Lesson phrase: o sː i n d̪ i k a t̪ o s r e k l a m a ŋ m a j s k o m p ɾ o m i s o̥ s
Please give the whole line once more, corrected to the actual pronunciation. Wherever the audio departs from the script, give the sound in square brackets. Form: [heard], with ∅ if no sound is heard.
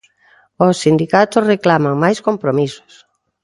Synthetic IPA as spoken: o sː i n d̪ i k a t̪ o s r e k l a m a ŋ m a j s k o m p ɾ o m i s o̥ s